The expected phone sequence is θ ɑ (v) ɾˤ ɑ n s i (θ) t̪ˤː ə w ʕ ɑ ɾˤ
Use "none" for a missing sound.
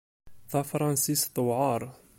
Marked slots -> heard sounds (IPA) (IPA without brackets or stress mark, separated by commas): f, s